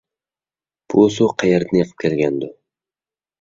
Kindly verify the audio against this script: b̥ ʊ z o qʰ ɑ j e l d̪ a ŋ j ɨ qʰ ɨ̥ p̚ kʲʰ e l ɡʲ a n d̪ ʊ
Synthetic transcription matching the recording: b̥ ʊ s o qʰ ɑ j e ɾ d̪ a n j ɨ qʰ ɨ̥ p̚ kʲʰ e l ɡʲ a n d̪ ʊ